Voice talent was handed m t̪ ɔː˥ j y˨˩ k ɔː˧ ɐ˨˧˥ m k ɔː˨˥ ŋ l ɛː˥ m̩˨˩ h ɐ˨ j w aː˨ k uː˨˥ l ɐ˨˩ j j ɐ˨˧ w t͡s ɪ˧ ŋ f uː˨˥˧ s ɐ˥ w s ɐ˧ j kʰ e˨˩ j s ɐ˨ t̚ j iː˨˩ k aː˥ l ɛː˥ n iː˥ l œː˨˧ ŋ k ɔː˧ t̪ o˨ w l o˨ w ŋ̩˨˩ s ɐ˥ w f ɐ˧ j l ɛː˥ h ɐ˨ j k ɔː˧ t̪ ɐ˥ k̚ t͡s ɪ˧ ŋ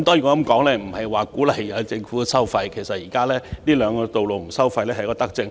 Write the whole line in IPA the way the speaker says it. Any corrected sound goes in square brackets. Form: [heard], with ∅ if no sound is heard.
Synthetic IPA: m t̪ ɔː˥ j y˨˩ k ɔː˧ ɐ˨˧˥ m k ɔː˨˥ ŋ l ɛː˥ m̩˨˩ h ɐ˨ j w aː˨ k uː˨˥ l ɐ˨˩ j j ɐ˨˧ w t͡s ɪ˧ ŋ f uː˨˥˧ s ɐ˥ w [f] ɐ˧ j kʰ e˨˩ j s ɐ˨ t̚ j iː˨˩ k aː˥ l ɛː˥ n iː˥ l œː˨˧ ŋ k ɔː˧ t̪ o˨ w l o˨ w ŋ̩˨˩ s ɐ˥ w f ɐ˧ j l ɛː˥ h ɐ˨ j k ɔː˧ t̪ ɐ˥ k̚ t͡s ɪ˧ ŋ